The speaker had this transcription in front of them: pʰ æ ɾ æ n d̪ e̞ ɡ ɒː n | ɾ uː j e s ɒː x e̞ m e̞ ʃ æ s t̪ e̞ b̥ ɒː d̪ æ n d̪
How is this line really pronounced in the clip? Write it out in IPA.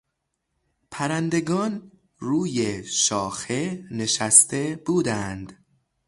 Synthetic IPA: pʰ æ ɾ æ n d̪ e̞ ɡ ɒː n | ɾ uː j e ʃ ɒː x e̞ n e̞ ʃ æ s t̪ e̞ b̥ uː d̪ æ n d̪